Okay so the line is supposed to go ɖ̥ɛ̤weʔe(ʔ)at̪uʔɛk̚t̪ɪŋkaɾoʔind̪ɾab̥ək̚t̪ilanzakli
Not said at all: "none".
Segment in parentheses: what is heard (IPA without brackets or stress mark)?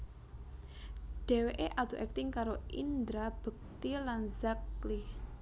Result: ʔ